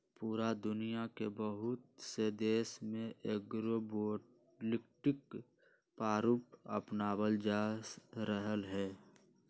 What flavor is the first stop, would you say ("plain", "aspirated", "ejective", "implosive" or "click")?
plain